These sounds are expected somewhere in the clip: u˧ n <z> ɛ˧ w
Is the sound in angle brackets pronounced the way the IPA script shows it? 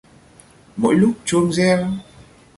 yes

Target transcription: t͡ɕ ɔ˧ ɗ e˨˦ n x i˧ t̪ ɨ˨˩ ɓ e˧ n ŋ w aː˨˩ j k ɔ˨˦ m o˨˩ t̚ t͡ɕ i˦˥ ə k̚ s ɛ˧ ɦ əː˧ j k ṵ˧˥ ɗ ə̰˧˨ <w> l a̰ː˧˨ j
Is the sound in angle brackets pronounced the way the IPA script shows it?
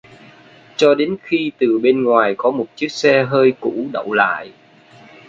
yes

